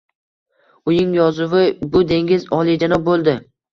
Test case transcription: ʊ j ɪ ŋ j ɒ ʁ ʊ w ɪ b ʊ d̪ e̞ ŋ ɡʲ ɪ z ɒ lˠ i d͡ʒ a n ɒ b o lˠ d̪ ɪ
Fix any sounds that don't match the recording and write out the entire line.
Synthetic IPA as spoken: ʊ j ɪ ŋ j ɒ z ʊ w ɪ b ʊ d̪ e̞ ŋ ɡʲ ɪ z ɒ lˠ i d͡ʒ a n ɒ b o lˠ d̪ ɪ